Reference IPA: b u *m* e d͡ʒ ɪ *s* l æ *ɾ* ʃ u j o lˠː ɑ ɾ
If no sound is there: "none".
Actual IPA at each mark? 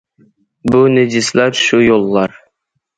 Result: n, s, ɾ

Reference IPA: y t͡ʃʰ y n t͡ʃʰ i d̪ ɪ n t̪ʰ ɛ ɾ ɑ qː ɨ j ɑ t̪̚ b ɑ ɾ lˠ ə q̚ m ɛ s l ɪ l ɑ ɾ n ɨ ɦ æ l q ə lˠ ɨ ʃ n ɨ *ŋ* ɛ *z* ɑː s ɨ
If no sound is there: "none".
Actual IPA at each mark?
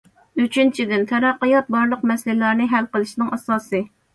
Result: ŋ, s

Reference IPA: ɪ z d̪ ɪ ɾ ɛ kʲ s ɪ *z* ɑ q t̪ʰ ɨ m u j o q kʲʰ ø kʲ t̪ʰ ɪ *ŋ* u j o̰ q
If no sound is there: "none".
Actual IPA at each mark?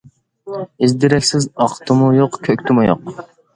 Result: z, m

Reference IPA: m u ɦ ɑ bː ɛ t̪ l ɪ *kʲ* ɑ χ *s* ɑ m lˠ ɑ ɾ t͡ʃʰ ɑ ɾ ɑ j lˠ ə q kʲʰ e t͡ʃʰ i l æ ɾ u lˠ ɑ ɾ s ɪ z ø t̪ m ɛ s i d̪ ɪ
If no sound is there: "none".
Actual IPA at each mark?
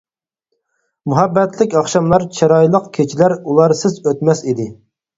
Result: kʲ, ʃ

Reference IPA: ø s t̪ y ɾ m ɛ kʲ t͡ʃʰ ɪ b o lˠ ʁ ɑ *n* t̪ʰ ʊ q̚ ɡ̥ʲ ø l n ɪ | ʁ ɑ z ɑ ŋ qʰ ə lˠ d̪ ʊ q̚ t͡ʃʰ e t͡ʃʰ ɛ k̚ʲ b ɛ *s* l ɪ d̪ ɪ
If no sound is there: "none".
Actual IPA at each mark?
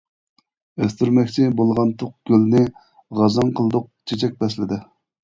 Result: n, s

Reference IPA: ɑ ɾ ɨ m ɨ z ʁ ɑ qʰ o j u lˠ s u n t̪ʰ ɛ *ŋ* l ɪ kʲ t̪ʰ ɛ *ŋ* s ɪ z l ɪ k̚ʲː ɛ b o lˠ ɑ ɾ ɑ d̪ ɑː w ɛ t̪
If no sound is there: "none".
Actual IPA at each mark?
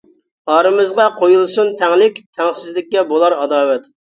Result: ŋ, ŋ

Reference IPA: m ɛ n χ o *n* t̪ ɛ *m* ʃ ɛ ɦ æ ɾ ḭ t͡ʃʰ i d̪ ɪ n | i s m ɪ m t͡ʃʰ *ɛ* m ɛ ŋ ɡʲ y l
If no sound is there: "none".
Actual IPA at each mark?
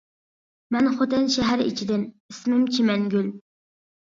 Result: none, n, i

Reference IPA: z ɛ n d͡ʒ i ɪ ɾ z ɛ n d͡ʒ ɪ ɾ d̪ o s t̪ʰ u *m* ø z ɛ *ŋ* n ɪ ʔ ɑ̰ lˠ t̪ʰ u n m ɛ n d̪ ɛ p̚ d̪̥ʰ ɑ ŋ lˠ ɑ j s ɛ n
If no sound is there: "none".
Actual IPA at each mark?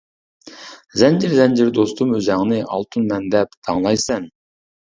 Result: m, ŋ

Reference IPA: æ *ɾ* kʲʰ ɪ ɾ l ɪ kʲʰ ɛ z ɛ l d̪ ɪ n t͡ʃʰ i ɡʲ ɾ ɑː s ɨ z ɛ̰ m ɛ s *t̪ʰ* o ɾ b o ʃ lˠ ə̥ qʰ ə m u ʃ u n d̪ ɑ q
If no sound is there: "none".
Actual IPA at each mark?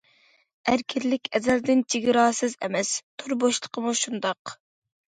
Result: ɾ, t̪ʰ

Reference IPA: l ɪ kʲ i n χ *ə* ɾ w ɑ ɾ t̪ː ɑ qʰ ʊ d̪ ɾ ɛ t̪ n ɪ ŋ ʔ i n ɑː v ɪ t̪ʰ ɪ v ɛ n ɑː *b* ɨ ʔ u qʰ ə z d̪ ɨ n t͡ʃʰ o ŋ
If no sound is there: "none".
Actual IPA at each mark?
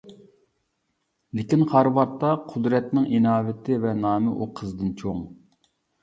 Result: ɑ, m

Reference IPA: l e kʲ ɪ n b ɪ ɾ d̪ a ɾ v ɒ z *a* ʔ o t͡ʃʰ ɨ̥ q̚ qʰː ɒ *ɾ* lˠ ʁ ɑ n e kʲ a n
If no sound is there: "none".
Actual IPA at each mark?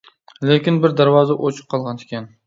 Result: a, none

